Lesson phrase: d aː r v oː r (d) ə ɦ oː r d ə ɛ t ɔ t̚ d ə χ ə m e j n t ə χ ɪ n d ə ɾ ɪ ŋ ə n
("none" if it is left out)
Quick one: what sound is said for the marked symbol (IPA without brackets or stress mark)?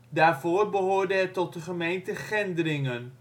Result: b